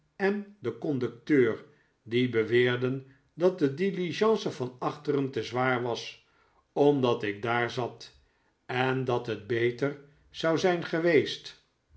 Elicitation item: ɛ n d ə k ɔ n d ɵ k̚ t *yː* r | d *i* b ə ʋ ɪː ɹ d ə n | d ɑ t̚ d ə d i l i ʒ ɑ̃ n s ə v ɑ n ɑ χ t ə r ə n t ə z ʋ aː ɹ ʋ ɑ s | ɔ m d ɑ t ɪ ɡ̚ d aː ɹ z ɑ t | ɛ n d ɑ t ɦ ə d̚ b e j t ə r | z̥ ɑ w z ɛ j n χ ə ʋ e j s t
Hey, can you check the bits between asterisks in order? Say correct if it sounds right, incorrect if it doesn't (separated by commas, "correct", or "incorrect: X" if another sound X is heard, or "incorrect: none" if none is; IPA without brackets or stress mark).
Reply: incorrect: øː, correct